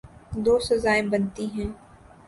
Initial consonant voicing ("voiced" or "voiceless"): voiced